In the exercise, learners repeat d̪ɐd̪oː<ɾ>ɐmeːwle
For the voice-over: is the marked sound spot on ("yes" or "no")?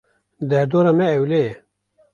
yes